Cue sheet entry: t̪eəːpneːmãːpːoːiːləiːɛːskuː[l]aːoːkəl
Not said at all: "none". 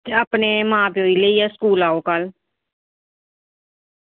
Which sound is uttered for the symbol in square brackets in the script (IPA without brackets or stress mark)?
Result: l